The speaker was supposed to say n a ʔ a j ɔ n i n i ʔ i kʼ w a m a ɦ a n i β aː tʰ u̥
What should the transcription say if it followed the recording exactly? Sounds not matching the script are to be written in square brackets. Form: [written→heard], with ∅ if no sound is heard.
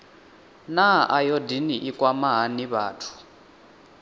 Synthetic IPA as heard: n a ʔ a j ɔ [n→d] i n i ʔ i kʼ w a m a ɦ a n i β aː tʰ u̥